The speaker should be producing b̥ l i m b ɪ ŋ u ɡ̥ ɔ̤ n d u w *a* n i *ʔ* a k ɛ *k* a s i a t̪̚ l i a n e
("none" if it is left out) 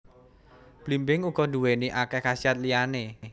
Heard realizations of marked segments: e, ʔ, k

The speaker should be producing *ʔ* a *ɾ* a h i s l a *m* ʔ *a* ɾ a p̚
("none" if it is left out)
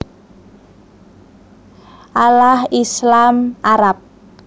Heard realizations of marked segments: ʔ, l, m, a

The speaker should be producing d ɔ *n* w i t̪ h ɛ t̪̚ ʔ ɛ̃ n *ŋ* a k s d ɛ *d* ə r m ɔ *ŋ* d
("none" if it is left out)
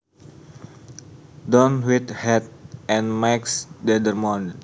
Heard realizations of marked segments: n, m, d, n

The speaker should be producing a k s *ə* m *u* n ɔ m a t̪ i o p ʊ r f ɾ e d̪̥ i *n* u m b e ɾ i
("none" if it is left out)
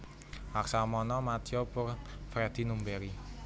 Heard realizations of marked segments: a, ɔ, n

